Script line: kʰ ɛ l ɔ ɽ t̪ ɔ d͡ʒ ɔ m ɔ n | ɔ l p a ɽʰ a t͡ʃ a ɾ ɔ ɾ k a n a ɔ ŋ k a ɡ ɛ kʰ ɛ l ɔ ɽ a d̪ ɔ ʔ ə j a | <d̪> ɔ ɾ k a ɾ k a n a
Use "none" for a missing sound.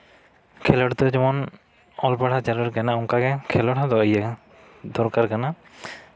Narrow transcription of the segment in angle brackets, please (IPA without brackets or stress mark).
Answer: d̪